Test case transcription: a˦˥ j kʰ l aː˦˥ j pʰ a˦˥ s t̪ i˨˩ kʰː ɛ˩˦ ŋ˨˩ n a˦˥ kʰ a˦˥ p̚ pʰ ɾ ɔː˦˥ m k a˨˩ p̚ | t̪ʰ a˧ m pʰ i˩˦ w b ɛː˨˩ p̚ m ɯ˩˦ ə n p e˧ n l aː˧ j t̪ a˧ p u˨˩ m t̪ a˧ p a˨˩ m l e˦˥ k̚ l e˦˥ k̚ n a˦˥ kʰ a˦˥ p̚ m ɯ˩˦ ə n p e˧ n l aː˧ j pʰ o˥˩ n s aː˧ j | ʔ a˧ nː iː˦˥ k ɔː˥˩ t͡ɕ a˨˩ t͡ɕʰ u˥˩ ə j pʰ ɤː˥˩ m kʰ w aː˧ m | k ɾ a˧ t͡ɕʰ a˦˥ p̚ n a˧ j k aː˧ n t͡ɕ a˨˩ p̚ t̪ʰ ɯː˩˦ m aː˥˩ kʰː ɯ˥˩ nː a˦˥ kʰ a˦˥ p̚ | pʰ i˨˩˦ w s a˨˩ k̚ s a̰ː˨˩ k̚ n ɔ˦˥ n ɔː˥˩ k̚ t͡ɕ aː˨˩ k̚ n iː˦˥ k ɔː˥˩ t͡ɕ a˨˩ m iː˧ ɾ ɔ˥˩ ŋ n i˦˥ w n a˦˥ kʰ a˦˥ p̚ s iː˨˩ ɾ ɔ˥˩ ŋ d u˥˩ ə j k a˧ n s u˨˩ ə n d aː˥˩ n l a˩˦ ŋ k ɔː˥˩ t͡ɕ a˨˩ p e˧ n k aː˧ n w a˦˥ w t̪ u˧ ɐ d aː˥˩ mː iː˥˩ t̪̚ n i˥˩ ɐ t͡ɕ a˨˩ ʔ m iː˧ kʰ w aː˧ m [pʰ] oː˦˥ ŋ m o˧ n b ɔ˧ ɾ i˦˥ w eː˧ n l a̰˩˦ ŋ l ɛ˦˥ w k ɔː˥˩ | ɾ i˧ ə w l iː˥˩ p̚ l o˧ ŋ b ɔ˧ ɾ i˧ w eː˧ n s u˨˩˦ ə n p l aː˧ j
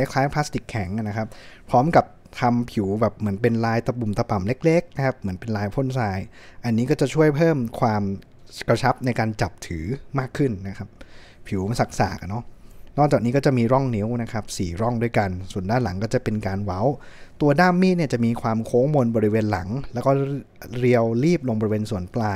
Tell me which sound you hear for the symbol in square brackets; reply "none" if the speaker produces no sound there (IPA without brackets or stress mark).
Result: kʰ